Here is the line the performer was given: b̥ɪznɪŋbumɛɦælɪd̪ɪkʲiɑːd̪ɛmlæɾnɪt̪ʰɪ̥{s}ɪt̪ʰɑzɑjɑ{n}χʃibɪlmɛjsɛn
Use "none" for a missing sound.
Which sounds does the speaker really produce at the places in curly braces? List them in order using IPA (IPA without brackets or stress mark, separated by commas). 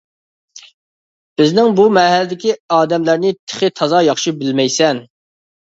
χ, none